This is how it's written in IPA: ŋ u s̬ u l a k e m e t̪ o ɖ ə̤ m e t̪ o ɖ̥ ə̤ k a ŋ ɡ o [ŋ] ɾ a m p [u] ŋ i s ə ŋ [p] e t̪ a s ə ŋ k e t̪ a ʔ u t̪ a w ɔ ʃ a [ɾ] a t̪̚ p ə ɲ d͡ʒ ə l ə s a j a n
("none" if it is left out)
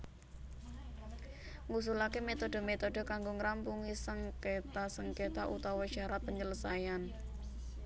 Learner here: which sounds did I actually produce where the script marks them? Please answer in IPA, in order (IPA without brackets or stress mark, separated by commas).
ŋ, u, k, ɾ